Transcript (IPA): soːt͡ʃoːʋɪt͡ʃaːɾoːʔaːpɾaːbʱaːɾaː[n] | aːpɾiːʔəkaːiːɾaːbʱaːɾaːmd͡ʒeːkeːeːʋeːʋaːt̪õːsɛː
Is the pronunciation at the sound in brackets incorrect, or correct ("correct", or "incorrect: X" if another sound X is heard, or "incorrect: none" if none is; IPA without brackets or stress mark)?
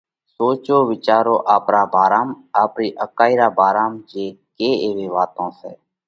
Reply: incorrect: m